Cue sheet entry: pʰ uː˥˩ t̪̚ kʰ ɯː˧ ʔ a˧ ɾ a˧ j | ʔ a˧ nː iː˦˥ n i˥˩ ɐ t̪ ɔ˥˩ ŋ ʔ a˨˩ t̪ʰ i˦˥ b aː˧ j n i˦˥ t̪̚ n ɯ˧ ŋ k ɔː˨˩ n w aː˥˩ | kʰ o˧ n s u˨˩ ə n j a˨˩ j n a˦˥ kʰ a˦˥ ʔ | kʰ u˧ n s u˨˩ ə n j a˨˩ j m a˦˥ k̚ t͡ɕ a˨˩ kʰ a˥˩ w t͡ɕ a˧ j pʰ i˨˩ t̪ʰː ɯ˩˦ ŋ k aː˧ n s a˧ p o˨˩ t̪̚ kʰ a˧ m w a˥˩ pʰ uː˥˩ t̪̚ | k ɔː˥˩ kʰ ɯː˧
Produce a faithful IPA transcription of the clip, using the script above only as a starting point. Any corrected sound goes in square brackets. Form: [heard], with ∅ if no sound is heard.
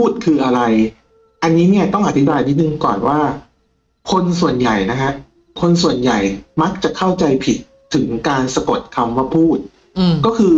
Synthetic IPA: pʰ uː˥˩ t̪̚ kʰ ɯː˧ ʔ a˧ ɾ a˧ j | ʔ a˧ nː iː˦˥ n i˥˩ ɐ t̪ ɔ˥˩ ŋ ʔ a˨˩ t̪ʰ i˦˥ b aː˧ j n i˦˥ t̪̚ n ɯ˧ ŋ k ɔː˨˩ n w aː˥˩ | kʰ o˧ n s u˨˩ ə n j a˨˩ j n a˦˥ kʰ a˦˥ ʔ | kʰ [o˧] n s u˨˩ ə n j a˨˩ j m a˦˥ k̚ t͡ɕ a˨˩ kʰ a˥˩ w t͡ɕ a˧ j pʰ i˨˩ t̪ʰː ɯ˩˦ ŋ k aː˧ n s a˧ [k] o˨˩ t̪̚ kʰ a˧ m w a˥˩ pʰ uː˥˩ t̪̚ | k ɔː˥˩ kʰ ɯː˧